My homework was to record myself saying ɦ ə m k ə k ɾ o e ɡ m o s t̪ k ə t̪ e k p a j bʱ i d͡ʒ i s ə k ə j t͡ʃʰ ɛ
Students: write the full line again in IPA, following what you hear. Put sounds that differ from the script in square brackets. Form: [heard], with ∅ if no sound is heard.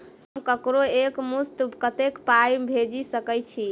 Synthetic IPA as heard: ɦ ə m k ə k ɾ o e [k] m [u] s t̪ k ə t̪ e k p a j bʱ [e] d͡ʒ i s ə k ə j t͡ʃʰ [i]